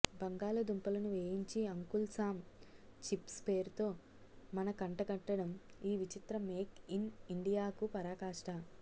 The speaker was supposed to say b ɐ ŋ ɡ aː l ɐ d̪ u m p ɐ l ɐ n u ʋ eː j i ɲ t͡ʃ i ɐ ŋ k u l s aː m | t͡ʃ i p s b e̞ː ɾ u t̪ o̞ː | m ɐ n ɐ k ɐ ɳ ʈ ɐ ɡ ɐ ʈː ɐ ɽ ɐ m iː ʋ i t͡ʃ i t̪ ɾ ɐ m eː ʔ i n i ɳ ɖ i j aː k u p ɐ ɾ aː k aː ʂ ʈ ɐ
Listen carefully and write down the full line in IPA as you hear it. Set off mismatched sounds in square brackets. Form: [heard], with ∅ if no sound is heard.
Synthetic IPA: b ɐ ŋ ɡ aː l ɐ d̪ u m p ɐ l ɐ n u ʋ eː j i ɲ t͡ʃ i ɐ ŋ k u l s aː m | t͡ʃ i p s [p] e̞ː ɾ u t̪ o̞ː | m ɐ n ɐ k ɐ ɳ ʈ ɐ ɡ ɐ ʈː ɐ ɽ ɐ m iː ʋ i t͡ʃ i t̪ ɾ ɐ m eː [k] i n i ɳ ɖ i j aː k u p ɐ ɾ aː k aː ʂ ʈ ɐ